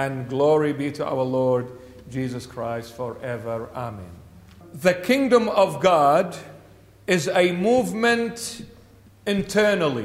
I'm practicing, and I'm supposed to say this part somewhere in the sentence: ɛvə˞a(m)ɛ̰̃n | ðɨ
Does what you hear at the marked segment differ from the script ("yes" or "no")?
no